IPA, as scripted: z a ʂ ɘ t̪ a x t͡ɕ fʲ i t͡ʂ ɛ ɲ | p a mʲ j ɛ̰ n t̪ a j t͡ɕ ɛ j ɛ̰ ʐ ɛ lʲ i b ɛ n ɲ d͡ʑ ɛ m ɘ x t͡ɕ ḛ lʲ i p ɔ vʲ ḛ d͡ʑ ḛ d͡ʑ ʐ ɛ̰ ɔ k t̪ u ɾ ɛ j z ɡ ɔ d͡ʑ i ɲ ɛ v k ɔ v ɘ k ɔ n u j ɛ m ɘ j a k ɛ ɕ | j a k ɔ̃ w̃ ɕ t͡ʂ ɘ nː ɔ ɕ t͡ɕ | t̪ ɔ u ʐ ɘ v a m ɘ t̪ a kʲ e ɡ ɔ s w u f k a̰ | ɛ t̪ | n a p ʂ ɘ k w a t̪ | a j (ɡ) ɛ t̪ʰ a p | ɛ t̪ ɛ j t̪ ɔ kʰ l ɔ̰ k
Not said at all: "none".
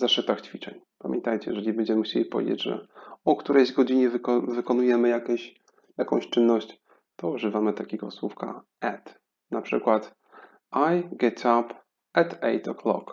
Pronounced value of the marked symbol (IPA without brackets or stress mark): ɡ